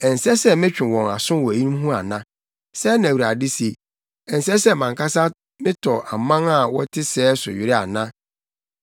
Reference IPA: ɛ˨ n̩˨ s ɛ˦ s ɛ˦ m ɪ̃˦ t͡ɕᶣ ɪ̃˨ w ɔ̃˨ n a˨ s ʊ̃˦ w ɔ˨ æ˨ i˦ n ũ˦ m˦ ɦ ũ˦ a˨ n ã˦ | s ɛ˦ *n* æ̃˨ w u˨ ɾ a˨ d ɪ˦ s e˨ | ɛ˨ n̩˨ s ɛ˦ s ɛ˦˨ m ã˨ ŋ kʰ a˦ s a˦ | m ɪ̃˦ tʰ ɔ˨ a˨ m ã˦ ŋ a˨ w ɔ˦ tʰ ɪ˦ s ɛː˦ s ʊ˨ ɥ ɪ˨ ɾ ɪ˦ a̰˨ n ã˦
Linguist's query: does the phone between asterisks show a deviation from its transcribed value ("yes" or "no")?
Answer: no